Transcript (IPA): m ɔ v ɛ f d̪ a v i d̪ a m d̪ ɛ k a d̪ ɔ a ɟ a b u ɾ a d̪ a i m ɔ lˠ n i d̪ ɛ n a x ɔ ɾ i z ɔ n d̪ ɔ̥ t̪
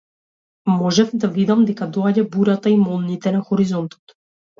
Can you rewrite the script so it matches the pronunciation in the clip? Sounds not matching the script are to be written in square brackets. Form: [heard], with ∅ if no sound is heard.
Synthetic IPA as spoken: m ɔ [ʒ] ɛ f d̪ a v i d̪ a m d̪ ɛ k a d̪ ɔ a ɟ a b u ɾ a [t̪] a i m ɔ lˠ n i [t̪] ɛ n a x ɔ ɾ i z ɔ n [t̪] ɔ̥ t̪